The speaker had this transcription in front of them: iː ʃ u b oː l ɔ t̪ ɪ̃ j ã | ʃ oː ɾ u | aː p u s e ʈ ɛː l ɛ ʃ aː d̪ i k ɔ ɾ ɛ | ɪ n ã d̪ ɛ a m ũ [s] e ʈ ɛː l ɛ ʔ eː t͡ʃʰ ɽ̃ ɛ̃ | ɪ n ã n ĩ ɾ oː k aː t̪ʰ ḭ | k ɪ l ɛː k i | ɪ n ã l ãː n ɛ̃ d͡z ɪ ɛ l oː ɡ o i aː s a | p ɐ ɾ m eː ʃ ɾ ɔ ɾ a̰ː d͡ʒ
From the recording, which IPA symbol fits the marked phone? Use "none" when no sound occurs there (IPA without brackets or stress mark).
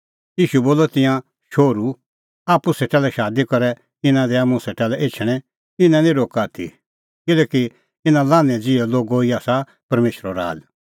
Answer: s